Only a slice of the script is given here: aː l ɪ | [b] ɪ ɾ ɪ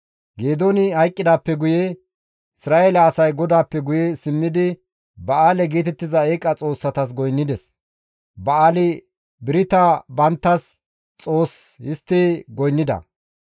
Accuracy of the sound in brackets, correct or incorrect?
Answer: correct